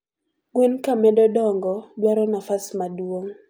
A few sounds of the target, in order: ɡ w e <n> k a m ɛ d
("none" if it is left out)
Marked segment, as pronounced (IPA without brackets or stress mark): n